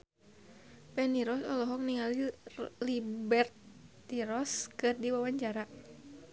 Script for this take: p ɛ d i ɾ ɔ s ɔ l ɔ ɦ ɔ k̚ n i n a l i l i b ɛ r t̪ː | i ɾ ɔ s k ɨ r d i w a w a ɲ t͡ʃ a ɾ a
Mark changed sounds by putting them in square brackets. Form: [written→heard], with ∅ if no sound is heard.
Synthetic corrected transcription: p ɛ [d→n] i ɾ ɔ s ɔ l ɔ ɦ ɔ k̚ n i [n→ŋ] a l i l i b ɛ r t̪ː | i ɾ ɔ s k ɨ r d i w a w a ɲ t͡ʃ a ɾ a